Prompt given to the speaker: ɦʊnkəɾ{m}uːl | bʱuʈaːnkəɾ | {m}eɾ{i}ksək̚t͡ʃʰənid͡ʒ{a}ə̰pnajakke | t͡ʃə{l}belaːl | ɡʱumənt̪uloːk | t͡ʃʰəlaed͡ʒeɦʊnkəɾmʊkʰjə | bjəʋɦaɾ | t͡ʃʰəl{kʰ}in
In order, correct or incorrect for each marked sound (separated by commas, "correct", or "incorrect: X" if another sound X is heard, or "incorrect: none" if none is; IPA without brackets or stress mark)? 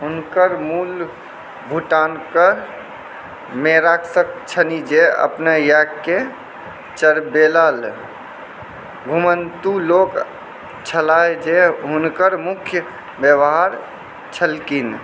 correct, correct, incorrect: a, incorrect: e, incorrect: ɾ, incorrect: k